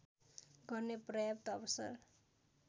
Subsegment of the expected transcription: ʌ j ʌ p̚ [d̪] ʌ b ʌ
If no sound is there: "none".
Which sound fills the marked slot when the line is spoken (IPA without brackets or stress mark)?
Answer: t̪